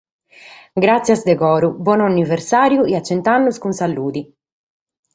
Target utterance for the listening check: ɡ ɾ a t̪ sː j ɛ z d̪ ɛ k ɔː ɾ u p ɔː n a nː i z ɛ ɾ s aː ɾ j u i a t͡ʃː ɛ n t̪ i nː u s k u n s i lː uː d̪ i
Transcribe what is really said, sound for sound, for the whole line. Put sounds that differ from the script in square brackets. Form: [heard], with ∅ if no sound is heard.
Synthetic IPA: ɡ ɾ a t̪ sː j [a] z d̪ ɛ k ɔː ɾ u [b] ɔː n a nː i [v] ɛ ɾ s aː ɾ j u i a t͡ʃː ɛ n t̪ [a] nː u s k u n s [a] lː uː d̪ i